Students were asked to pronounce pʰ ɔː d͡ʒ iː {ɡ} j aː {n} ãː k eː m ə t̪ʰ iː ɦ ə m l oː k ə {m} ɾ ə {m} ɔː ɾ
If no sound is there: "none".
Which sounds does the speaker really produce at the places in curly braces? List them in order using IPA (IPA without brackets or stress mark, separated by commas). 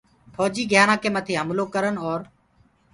ɡ, n, none, n